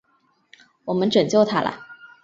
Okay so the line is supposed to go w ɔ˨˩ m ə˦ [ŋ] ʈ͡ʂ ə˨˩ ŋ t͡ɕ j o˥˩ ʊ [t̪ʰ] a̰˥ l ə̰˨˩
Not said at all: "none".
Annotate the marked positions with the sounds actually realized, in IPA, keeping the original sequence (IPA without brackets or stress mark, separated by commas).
n, t̪ʰ